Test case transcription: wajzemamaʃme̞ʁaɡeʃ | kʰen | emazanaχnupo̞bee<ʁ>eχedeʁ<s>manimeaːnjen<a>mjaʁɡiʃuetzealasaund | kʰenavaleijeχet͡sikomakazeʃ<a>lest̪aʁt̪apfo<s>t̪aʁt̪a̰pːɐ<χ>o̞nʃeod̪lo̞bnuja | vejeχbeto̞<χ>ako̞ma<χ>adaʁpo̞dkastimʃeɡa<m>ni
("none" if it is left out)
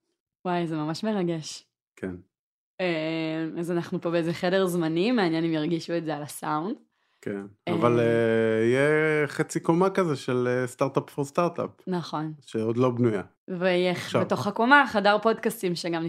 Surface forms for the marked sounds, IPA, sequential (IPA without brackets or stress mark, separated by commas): z, z, i, e, s, χ, χ, χ, m